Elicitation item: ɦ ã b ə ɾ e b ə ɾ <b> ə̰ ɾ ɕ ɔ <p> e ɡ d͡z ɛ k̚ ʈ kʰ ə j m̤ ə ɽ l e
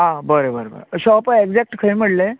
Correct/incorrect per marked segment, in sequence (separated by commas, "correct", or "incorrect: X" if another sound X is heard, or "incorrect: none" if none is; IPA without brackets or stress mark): correct, correct